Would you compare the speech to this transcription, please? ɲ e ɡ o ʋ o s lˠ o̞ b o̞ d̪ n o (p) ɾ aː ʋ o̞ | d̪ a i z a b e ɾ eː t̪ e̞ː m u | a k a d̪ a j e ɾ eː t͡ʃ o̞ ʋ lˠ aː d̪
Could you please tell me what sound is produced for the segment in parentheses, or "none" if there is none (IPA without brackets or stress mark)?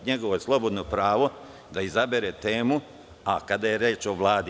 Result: p